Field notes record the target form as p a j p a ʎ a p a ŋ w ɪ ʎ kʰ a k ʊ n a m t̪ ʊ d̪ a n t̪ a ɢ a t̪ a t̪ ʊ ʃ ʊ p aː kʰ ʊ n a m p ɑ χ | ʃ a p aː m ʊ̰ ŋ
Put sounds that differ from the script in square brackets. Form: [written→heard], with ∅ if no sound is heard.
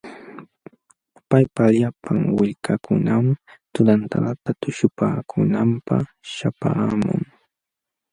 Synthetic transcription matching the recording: p a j p a ʎ a p a ŋ w ɪ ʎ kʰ a k ʊ n a m t̪ ʊ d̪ a n t̪ a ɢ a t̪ a t̪ ʊ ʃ ʊ p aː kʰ ʊ n a m p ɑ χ | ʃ a p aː m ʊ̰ ŋ